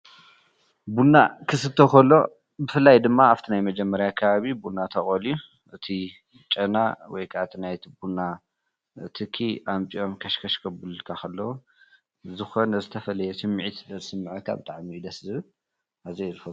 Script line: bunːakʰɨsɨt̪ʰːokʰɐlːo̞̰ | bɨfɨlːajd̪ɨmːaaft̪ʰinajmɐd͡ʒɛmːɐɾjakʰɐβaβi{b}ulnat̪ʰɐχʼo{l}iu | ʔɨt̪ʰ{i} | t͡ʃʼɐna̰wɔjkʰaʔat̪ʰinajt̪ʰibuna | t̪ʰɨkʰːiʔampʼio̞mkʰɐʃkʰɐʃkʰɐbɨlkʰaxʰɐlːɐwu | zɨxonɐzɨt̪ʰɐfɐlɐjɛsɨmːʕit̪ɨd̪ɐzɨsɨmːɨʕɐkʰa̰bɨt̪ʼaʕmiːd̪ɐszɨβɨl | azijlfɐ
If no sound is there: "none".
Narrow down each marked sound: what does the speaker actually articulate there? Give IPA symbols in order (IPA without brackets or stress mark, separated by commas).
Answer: b, l, i